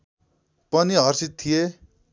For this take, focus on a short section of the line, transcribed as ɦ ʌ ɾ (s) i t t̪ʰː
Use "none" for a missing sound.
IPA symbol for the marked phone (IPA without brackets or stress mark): s